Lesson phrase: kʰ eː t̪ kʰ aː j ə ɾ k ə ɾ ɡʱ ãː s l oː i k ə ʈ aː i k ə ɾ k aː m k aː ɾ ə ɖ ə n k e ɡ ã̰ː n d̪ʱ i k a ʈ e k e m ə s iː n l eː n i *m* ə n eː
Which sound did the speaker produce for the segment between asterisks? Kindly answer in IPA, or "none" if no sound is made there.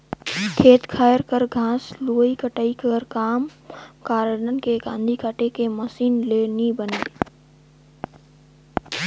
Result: b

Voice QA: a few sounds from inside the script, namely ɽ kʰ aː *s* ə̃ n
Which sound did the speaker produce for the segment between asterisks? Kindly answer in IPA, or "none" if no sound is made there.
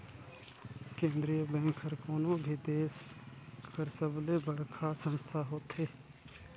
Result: s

